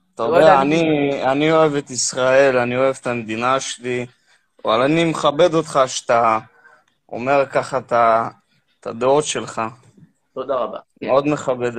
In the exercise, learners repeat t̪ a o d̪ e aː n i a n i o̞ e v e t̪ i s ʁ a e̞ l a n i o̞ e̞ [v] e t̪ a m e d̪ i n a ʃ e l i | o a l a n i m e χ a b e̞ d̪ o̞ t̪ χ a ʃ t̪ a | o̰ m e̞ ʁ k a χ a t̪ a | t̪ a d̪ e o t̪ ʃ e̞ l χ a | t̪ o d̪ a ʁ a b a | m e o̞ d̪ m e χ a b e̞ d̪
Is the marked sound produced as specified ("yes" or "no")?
yes